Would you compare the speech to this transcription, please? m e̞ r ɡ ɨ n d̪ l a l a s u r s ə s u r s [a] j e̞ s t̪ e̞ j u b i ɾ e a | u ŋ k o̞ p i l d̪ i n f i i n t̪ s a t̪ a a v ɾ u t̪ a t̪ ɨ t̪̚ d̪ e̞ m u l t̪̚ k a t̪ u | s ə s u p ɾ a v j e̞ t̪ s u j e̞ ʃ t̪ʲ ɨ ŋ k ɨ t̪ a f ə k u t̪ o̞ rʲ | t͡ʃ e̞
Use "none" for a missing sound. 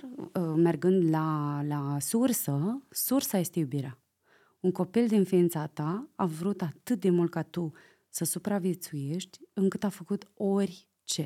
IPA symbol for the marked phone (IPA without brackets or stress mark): a